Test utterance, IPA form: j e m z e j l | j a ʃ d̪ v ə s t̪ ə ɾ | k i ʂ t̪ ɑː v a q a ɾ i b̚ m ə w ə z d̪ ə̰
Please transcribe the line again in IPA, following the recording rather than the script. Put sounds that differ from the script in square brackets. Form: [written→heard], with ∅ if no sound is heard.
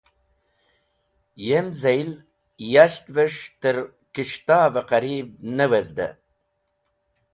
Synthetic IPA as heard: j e m z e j l | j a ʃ [d̪→t̪] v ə [s→ʂ] t̪ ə ɾ | k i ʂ t̪ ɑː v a q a ɾ i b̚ [m→n] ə w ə z d̪ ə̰